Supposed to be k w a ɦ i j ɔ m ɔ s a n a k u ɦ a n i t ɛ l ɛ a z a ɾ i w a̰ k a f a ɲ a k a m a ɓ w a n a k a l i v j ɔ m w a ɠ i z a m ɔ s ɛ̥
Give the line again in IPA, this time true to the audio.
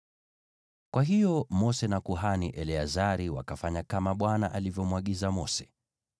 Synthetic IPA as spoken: k w a ɦ i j ɔ m ɔ s ɛ n a k u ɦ a n i ʔ ɛ l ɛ a z a ɾ i w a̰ k a f a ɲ a k a m a ɓ w a n a ʔ a l i v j ɔ m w a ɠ i z a m ɔ s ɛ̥